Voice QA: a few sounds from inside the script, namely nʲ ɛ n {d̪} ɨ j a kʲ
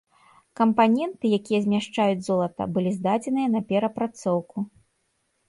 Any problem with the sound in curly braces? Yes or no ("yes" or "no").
yes